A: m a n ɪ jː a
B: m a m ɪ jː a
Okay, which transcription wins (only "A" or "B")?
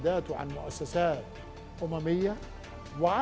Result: B